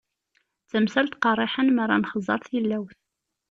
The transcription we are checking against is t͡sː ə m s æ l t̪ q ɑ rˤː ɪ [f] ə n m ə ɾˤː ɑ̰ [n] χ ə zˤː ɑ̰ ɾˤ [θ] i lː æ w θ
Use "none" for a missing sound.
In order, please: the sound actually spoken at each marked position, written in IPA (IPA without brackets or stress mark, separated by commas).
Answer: ħ, n, θ